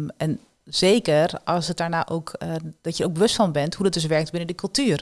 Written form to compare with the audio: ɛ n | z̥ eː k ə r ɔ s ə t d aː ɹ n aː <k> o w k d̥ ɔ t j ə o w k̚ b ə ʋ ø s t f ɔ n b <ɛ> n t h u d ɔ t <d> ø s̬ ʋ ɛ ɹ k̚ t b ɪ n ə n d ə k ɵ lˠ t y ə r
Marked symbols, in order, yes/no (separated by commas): no, yes, yes